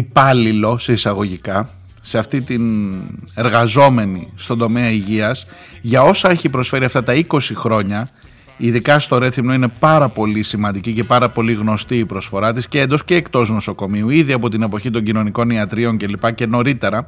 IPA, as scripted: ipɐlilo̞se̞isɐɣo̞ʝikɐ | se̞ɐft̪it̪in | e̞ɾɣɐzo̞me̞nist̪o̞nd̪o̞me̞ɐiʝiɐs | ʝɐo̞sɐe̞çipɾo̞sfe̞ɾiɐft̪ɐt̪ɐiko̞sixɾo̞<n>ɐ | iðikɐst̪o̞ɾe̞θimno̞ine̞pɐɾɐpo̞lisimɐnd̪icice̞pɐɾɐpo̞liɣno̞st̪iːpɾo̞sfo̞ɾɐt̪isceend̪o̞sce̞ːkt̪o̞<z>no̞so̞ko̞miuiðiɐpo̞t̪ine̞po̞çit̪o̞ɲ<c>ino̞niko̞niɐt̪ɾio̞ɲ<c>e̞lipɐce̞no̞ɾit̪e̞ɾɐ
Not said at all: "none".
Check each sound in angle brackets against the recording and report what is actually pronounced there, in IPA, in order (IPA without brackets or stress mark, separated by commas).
ɲ, z, ɟ, c